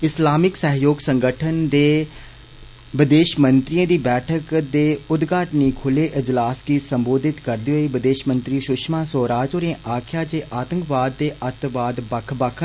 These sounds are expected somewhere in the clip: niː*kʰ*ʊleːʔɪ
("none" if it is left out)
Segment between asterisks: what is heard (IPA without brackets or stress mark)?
kʰ